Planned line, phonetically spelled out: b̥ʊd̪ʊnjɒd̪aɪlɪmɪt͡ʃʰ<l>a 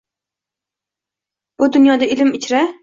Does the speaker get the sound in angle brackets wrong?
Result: yes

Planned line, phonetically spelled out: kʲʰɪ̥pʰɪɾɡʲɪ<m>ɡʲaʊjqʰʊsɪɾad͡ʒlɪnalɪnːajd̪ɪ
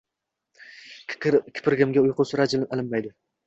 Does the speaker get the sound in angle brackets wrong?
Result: no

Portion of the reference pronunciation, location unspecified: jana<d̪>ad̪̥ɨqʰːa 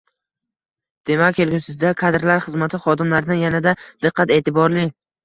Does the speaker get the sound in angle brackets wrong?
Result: no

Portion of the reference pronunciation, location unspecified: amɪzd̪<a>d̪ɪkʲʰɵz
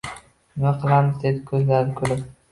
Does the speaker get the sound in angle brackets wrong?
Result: yes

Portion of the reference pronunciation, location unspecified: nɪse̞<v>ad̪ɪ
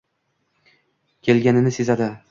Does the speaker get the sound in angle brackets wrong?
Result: yes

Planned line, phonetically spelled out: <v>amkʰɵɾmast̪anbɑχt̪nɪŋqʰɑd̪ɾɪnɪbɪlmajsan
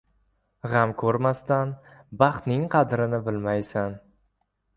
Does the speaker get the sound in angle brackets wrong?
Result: yes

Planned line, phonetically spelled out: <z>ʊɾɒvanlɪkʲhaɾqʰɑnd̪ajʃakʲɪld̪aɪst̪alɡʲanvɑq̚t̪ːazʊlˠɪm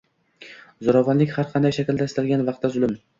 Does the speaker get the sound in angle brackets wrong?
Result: no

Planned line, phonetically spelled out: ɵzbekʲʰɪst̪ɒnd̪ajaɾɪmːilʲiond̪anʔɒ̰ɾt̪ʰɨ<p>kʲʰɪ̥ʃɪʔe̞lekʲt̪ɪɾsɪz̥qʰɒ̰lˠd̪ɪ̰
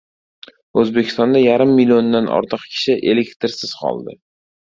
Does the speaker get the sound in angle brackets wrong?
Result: yes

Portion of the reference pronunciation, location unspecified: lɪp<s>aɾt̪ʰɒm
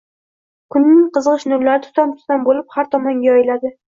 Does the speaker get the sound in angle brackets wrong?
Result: yes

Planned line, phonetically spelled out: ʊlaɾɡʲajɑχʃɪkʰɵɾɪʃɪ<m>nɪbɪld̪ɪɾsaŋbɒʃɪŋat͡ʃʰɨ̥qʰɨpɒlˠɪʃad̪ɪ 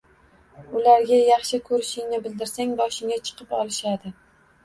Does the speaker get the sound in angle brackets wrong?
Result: yes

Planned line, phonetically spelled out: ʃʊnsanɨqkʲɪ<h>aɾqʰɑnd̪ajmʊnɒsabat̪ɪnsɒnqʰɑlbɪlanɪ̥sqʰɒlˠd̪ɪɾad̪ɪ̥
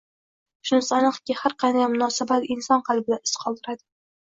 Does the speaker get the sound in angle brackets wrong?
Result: no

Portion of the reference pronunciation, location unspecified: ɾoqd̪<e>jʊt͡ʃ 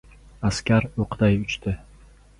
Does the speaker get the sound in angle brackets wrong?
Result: yes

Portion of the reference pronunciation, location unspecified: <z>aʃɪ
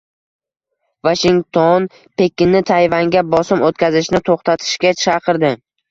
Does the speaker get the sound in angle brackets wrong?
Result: yes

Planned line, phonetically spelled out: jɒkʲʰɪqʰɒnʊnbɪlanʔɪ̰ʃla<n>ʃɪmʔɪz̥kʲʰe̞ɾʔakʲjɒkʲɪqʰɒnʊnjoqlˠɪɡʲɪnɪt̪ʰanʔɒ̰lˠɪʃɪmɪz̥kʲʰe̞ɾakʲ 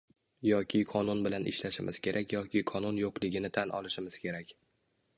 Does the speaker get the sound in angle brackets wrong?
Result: yes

